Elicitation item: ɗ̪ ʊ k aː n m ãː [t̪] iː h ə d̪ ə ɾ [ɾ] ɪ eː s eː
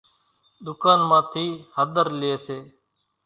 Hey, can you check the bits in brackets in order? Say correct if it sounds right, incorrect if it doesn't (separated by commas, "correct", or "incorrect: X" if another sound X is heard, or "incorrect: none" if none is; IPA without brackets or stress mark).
incorrect: t̪ʰ, incorrect: l